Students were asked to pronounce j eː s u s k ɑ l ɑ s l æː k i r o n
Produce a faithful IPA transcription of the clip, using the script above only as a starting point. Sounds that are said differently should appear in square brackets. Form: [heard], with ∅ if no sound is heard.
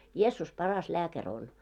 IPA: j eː [sː] u s [p] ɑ [r] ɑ s l æː k [æ] r o n